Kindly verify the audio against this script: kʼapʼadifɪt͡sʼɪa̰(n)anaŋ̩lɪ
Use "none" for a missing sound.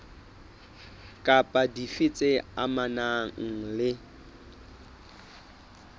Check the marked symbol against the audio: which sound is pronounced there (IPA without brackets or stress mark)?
m